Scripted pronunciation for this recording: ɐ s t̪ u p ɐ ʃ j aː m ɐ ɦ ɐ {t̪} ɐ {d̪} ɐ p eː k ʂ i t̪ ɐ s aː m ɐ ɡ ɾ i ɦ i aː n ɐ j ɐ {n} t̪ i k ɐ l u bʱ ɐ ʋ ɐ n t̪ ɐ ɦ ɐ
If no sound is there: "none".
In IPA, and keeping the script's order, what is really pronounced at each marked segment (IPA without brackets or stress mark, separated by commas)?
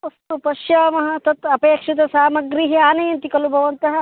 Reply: t̪, t̪, n